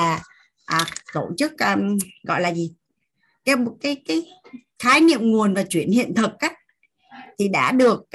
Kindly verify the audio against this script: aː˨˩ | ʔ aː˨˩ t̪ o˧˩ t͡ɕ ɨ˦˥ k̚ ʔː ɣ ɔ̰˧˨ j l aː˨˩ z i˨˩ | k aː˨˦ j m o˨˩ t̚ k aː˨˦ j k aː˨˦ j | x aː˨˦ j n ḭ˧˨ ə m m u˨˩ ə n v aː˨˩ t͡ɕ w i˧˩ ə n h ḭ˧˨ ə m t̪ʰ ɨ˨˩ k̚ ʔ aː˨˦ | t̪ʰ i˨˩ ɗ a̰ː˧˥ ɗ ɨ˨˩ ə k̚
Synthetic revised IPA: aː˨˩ | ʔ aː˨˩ t̪ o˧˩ t͡ɕ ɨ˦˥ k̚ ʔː ɣ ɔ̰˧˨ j l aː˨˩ z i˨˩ | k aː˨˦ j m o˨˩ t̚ k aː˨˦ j k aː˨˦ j | x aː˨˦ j n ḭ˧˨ ə m ŋ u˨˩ ə n v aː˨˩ t͡ɕ w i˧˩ ə n h ḭ˧˨ ə n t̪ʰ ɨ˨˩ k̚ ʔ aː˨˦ | t̪ʰ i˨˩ ɗ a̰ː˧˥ ɗ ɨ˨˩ ə k̚